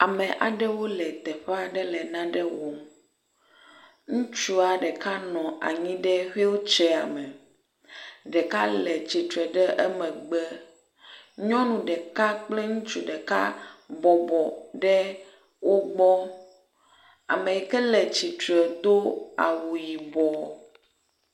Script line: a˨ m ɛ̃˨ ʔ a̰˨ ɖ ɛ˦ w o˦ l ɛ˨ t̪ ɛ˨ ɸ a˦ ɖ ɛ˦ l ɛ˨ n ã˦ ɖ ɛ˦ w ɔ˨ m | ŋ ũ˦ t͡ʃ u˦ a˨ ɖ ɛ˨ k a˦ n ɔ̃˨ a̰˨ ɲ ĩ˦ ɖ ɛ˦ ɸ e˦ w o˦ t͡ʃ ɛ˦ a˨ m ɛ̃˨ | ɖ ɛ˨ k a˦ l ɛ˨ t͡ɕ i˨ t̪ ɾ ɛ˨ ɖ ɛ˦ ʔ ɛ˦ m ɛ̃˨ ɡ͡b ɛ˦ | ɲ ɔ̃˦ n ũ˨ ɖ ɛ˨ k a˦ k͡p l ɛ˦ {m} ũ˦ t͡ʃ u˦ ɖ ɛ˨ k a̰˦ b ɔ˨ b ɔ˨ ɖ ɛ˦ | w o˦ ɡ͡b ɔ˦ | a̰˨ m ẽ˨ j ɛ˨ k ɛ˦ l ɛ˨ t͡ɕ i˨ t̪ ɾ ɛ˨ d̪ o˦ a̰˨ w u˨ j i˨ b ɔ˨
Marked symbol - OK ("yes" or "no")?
no